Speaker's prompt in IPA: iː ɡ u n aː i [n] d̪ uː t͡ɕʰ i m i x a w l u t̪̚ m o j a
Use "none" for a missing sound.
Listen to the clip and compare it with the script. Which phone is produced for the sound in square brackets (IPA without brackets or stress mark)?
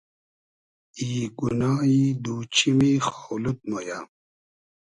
none